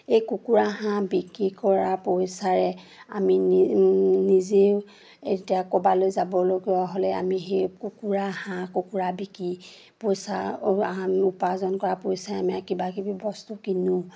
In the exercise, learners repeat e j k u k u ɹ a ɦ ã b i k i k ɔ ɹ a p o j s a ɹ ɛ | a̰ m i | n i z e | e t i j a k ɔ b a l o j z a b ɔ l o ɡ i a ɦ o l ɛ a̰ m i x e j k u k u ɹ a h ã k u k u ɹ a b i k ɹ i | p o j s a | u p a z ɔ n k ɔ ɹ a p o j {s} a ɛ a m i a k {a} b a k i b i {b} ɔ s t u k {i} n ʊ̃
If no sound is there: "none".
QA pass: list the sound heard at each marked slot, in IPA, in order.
s, i, b, i

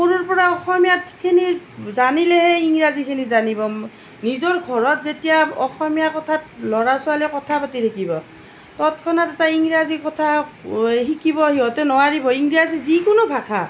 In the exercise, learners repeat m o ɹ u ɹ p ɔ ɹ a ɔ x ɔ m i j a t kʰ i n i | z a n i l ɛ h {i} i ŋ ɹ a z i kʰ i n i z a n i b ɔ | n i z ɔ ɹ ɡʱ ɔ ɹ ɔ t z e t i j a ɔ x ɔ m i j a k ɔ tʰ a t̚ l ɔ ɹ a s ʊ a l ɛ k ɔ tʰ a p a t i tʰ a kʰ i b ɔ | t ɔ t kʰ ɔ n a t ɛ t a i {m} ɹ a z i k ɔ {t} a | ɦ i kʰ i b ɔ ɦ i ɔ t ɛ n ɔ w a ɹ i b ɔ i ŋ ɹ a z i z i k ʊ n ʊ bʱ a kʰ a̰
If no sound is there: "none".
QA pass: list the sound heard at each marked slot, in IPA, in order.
ɛ, ŋ, tʰ

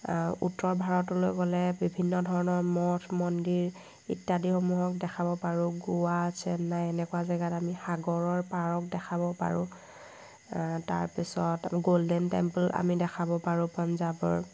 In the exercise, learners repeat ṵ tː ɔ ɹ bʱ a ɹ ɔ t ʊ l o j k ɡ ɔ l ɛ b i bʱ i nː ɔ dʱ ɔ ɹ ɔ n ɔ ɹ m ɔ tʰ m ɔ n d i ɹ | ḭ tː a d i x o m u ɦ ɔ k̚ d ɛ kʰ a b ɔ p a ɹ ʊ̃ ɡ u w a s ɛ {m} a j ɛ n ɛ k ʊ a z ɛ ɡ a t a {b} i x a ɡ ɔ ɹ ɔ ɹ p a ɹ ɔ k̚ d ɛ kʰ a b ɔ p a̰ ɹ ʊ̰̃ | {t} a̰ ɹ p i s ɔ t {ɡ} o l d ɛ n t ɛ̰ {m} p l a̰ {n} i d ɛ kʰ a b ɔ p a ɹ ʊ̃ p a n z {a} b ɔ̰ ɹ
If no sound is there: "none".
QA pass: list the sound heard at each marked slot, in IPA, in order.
n, m, t, ɡ, m, m, a

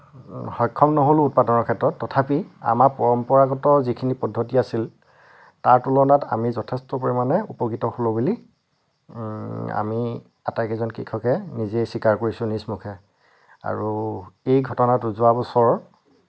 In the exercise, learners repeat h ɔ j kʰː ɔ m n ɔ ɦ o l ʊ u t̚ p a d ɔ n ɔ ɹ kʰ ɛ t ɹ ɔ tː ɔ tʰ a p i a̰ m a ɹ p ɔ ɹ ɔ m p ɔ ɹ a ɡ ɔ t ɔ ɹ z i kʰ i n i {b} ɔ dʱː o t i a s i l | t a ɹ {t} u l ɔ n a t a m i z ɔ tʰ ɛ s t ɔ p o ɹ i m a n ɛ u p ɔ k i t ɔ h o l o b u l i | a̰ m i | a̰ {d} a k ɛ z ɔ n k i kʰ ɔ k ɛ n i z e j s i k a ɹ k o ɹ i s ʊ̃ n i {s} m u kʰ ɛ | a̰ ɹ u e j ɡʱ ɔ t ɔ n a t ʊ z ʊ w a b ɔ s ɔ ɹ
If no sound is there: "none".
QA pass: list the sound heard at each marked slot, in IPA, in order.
p, t, t, s

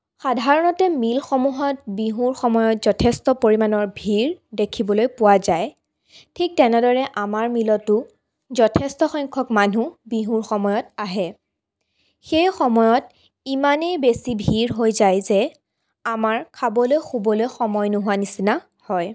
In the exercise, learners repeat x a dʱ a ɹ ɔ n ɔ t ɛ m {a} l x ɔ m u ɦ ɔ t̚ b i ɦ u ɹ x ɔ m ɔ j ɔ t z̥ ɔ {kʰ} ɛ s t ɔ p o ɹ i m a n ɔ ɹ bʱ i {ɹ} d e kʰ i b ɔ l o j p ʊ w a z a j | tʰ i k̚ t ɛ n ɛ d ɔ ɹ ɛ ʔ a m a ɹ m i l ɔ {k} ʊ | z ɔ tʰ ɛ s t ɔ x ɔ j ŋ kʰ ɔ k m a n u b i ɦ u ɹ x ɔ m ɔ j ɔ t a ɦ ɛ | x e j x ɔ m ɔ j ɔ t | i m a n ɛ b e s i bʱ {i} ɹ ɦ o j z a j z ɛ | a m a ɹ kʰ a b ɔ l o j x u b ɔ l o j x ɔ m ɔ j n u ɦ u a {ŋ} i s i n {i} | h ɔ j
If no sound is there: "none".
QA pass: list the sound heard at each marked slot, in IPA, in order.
i, tʰ, ɹ, t, i, n, a

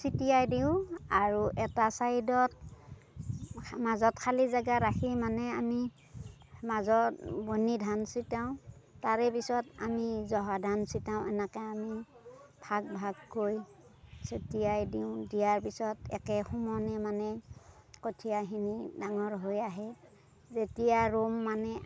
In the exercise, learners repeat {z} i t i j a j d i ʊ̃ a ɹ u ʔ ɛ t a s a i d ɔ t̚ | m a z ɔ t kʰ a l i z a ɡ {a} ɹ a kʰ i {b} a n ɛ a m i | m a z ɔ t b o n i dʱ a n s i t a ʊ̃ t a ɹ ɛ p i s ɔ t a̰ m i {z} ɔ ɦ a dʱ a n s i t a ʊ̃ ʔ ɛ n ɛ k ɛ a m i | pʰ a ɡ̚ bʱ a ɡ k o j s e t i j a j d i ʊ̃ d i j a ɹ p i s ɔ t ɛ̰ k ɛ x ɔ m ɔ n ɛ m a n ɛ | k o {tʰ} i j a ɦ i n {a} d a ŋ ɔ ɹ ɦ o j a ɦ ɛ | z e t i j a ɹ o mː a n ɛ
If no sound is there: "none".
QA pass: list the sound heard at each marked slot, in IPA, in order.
s, a, m, z, tʰ, i

